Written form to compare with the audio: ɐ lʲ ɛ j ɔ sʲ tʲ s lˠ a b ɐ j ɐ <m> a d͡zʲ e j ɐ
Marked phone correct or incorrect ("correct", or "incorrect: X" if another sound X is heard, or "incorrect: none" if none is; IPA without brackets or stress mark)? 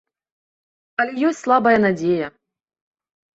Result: incorrect: n